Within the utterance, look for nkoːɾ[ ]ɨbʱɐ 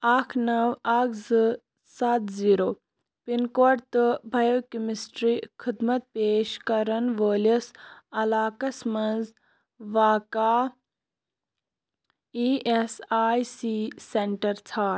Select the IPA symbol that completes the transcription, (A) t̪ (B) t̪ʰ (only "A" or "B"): A